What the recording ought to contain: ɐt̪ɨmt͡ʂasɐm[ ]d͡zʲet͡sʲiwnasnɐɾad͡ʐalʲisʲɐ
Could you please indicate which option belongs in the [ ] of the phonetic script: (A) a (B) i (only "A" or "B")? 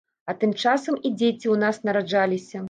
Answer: B